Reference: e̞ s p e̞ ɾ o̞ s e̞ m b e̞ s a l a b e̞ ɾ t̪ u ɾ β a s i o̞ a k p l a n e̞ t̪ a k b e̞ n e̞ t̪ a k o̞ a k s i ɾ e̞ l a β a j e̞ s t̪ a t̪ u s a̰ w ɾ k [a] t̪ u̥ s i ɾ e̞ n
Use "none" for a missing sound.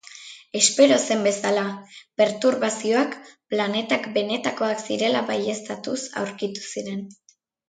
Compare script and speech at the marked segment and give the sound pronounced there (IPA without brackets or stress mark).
i